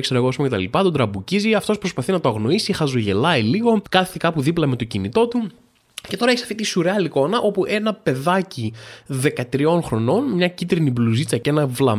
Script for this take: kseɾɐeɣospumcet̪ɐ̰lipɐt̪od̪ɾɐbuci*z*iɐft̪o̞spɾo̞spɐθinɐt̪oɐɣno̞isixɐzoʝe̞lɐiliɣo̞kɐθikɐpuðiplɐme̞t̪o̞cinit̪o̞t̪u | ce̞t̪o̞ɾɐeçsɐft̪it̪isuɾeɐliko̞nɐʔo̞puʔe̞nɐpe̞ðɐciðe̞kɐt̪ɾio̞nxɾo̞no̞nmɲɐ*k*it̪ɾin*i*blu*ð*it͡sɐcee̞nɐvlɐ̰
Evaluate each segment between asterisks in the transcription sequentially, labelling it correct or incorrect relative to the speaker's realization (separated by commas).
correct, incorrect, correct, incorrect